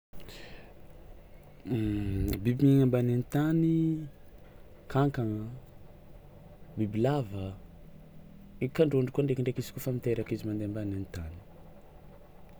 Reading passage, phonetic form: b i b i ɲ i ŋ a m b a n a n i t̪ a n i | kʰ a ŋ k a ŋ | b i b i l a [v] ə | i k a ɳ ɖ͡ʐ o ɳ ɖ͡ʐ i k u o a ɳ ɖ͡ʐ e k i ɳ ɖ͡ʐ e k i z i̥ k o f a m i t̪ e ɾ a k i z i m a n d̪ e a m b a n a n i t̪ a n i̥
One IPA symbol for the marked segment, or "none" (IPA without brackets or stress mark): v